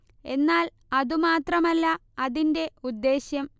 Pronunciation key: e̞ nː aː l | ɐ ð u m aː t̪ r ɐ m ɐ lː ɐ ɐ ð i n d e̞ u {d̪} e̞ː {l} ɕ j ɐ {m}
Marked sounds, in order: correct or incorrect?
incorrect: d̪ː, incorrect: none, correct

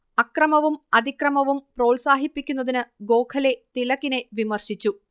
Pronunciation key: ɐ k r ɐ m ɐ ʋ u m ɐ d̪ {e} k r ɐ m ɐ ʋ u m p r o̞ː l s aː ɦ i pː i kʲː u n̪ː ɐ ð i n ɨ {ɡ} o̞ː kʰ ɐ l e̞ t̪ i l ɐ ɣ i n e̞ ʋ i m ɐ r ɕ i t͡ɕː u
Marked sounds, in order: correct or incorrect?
incorrect: i, correct

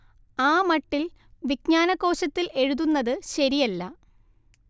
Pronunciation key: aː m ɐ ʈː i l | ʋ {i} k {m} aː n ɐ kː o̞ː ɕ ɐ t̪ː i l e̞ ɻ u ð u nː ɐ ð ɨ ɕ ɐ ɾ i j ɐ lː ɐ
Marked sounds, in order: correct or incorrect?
correct, incorrect: ɲ

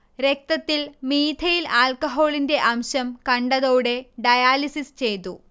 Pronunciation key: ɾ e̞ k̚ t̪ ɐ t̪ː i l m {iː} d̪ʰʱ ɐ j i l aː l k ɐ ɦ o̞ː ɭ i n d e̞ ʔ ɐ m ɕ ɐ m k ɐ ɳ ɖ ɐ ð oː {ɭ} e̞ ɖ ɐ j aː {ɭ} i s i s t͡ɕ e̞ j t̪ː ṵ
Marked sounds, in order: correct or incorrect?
correct, incorrect: ɽ, incorrect: l

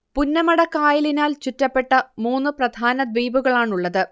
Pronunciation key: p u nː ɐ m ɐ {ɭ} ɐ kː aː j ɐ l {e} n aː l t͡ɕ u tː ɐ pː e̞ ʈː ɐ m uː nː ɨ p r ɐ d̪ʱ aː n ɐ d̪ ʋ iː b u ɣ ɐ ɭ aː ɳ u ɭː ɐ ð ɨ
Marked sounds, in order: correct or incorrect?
incorrect: ɽ, incorrect: i

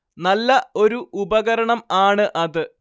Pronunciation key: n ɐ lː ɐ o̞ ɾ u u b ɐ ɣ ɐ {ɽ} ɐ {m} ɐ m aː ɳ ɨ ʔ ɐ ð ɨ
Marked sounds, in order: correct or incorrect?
incorrect: ɾ, incorrect: ɳ

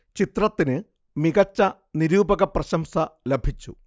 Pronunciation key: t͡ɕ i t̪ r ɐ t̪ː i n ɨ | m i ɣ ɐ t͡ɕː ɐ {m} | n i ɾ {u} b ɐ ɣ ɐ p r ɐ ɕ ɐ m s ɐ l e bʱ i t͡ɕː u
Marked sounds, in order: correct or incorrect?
incorrect: none, incorrect: uː

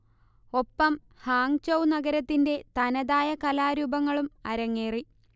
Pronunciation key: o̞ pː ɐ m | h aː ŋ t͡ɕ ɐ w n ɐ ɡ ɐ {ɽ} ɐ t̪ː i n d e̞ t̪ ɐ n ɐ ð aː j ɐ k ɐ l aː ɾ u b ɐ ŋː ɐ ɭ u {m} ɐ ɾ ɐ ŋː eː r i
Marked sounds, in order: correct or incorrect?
incorrect: ɾ, correct

